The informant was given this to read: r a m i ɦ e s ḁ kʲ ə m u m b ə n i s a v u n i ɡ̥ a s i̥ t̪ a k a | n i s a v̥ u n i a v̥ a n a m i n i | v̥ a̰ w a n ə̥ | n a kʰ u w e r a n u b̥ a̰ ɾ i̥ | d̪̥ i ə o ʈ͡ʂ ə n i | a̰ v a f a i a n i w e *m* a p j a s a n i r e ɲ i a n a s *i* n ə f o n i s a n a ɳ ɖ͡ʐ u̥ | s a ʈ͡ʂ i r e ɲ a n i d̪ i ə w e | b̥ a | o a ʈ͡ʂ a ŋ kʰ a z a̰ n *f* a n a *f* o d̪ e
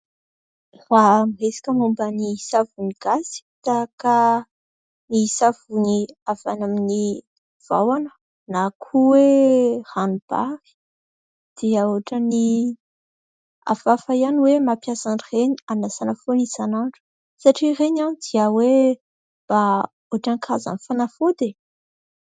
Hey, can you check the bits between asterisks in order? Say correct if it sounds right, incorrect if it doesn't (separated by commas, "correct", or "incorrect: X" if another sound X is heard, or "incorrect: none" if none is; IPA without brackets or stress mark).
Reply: correct, incorrect: a, correct, correct